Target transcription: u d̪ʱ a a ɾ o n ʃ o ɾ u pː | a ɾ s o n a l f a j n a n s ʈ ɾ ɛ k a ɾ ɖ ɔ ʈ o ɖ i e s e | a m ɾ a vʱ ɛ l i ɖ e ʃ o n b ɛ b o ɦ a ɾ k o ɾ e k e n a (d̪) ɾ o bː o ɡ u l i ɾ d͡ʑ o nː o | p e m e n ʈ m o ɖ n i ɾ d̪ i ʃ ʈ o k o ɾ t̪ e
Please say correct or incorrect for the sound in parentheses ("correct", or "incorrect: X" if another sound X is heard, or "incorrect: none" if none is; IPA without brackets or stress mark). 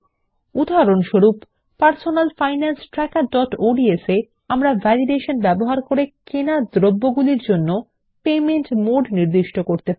correct